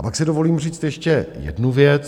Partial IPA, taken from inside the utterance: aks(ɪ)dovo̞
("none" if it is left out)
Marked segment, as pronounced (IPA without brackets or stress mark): ɪ